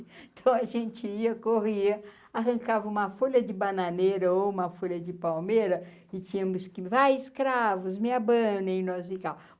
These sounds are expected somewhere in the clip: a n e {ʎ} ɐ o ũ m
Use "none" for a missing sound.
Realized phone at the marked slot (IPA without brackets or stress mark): ɾ